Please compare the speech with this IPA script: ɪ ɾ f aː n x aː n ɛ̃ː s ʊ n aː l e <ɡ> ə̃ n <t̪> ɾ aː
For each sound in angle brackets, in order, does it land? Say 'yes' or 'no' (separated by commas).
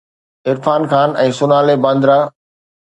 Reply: no, no